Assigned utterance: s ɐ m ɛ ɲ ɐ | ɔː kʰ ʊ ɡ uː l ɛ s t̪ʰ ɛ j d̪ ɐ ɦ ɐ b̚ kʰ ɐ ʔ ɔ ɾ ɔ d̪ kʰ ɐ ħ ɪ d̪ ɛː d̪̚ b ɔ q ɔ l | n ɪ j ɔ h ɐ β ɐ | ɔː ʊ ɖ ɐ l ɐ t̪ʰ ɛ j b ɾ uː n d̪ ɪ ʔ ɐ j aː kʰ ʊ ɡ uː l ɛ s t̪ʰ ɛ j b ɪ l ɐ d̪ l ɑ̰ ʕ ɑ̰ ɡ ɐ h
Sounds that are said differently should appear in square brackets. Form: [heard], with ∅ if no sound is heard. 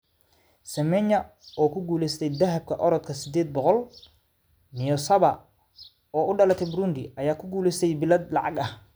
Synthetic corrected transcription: s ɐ m ɛ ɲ ɐ | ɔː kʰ ʊ ɡ uː l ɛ s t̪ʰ ɛ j d̪ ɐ ɦ ɐ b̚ kʰ ɐ ʔ ɔ ɾ ɔ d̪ kʰ ɐ [s] ɪ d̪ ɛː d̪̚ b ɔ q ɔ l | n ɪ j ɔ [s] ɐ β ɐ | ɔː ʊ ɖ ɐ l ɐ t̪ʰ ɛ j b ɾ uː n d̪ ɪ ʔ ɐ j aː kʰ ʊ ɡ uː l ɛ s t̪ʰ ɛ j b ɪ l ɐ d̪ l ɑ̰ ʕ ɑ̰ ɡ ɐ h